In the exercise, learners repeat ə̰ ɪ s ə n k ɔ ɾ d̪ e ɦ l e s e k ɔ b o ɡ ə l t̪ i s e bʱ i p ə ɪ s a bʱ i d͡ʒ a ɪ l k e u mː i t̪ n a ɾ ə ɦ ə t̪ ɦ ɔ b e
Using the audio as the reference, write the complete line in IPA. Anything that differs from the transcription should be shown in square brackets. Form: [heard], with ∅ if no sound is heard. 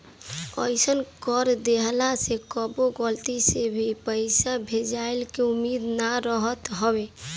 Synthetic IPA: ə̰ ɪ s ə n k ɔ ɾ d̪ e ɦ l [a] s e k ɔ b o ɡ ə l t̪ i s e bʱ i p ə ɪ s a bʱ [e] d͡ʒ a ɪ l k e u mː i [d̪] n a ɾ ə ɦ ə t̪ ɦ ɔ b e